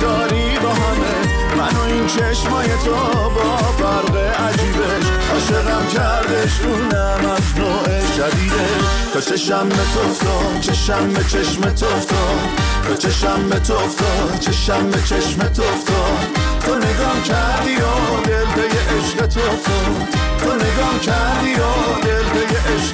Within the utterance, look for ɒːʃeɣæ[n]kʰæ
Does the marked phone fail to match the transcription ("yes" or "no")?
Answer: yes